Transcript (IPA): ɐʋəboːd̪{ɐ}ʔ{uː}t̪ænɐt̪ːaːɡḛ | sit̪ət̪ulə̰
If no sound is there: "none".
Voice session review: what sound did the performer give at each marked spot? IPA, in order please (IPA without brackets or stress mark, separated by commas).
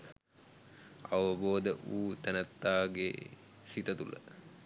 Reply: ə, uː